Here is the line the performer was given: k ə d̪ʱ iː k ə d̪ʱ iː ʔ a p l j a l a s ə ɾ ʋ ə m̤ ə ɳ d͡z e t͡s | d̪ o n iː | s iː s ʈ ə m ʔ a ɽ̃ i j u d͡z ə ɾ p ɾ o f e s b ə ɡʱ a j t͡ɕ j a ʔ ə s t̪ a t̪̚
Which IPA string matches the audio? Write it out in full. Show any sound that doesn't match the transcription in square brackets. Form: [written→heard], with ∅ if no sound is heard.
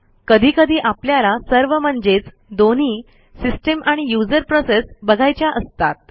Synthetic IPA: k ə d̪ʱ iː k ə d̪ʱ iː ʔ a p l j a l a s ə ɾ ʋ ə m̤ ə ɳ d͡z e t͡s | d̪ o n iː | s [iː→i] s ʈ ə m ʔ a ɽ̃ i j u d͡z ə ɾ p ɾ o [f→s] e s b ə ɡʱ a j t͡ɕ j a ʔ ə s t̪ a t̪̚